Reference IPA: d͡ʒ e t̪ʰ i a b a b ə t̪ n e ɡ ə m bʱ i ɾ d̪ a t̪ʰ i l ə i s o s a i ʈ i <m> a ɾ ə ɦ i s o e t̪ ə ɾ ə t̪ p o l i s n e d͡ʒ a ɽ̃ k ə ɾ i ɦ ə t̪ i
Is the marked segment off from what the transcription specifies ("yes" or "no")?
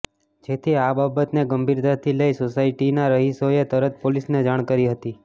yes